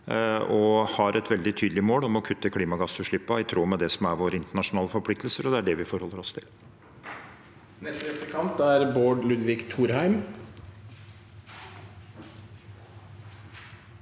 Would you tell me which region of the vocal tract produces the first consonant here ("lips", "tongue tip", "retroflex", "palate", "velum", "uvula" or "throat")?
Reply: throat